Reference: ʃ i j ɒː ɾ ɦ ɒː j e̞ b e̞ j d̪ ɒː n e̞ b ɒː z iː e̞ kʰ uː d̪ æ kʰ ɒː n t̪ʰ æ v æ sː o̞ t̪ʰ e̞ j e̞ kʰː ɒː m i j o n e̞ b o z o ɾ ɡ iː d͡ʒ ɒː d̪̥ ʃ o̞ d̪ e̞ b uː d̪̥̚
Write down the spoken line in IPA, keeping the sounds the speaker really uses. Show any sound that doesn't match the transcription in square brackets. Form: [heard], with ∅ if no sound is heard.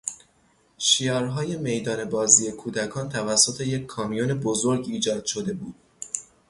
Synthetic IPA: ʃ i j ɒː ɾ ɦ ɒː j e̞ [m] e̞ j d̪ ɒː n e̞ b ɒː z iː e̞ kʰ uː d̪ æ kʰ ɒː n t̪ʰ æ v æ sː o̞ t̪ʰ e̞ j e̞ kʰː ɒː m i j o n e̞ b o z o ɾ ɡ iː d͡ʒ ɒː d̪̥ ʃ o̞ d̪ e̞ b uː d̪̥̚